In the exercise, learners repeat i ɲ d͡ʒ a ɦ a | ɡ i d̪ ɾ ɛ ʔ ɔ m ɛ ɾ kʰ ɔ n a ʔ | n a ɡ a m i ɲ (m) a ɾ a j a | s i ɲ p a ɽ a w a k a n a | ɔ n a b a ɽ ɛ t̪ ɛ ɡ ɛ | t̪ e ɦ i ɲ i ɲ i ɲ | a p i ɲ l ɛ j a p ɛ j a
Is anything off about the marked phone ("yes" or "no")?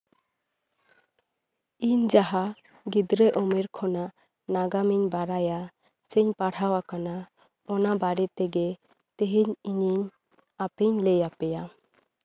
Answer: yes